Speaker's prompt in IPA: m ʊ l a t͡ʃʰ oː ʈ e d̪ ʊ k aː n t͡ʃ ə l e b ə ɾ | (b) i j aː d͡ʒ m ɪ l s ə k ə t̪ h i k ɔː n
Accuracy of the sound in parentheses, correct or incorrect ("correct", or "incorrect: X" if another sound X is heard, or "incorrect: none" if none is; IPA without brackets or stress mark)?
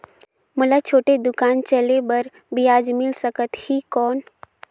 correct